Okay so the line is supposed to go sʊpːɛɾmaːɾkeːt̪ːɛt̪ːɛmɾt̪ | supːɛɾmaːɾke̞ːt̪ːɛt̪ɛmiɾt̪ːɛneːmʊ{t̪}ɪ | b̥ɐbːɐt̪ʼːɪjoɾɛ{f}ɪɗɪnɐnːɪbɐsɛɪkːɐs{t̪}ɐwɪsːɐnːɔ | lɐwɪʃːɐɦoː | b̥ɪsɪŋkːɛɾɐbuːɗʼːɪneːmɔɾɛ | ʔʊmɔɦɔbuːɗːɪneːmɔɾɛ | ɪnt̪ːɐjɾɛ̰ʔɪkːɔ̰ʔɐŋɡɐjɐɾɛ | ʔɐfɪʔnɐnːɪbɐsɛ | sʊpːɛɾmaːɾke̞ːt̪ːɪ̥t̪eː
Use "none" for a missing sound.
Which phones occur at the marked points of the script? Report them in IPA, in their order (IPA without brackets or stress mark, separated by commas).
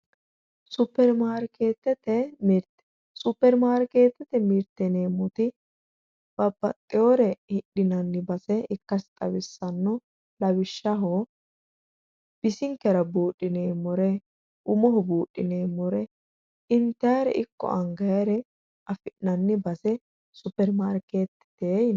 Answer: t̪, h, t̪ʼ